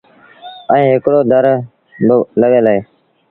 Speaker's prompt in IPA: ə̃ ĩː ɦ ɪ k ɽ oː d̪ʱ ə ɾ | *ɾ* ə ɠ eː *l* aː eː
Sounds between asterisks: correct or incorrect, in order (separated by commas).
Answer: incorrect, correct